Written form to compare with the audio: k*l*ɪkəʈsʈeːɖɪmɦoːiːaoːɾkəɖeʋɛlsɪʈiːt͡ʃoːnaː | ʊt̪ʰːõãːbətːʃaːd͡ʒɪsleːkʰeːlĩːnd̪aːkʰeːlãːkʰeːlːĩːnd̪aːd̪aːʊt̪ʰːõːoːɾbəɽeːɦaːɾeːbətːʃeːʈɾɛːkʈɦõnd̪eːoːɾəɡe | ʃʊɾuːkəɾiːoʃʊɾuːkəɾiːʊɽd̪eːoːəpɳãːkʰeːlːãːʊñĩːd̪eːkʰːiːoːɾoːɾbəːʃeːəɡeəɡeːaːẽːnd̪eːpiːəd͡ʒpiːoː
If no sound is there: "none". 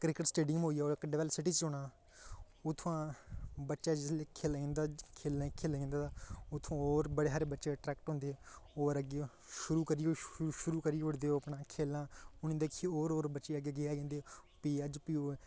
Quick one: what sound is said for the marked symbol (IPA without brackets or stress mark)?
ɾ